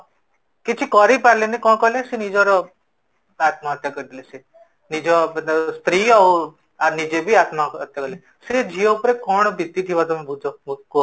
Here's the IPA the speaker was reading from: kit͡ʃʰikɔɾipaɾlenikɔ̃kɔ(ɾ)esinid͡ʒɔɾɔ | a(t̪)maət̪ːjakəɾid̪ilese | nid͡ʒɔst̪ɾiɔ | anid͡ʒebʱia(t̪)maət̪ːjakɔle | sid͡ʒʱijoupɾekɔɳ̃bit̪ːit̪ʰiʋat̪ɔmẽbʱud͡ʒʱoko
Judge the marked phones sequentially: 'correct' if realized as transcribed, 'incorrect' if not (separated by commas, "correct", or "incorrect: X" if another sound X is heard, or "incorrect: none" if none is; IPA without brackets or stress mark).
incorrect: l, correct, correct